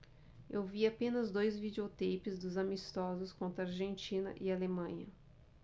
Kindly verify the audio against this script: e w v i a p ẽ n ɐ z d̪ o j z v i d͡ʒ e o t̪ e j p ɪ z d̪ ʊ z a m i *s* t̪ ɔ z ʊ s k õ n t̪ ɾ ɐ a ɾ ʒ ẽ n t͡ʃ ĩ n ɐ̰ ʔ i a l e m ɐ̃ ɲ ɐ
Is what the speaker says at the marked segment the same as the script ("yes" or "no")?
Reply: yes